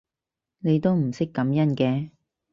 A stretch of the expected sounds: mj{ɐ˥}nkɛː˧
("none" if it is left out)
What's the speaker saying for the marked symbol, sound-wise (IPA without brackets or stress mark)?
ɐ˥